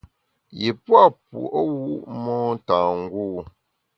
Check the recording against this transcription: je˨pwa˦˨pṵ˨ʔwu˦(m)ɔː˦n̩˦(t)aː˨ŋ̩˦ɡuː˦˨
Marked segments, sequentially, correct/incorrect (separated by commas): correct, correct